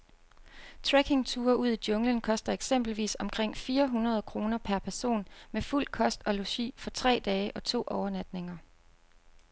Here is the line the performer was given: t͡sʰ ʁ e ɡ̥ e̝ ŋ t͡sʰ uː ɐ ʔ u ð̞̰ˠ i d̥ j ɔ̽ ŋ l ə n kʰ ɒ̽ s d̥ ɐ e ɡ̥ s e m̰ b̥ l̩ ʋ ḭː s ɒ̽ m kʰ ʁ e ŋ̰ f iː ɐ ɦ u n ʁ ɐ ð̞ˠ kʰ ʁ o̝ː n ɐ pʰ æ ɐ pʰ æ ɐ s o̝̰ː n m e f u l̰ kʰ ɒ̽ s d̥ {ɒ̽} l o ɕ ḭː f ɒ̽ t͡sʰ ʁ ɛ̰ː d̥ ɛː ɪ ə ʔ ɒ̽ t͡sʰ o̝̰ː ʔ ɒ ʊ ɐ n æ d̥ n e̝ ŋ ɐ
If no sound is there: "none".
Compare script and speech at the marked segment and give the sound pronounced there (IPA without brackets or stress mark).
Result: ɒ̽